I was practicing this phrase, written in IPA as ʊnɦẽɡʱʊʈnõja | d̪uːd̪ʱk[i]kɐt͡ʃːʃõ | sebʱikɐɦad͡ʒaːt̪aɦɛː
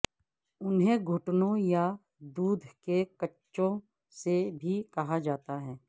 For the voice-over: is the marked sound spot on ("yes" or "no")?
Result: no